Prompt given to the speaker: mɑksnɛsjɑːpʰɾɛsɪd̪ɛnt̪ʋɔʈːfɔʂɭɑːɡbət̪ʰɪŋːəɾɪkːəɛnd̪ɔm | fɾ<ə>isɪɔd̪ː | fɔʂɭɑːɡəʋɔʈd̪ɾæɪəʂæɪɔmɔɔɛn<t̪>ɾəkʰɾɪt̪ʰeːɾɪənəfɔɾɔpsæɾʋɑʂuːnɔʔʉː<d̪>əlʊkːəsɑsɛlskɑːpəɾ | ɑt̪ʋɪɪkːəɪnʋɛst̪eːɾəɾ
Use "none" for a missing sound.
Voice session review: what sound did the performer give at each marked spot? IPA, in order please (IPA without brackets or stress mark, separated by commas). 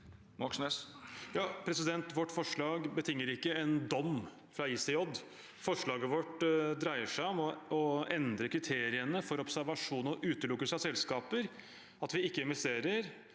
ɑ, d̪, t̪